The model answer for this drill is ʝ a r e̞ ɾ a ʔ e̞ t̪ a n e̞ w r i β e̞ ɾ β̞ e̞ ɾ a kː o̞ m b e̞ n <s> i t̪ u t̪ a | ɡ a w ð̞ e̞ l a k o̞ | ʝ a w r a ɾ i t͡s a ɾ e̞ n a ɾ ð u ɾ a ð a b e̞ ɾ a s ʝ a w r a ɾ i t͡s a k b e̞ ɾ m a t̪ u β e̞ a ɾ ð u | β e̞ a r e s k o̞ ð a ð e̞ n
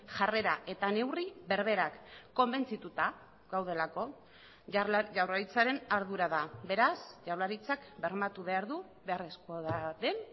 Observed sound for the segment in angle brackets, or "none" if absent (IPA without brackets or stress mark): t͡s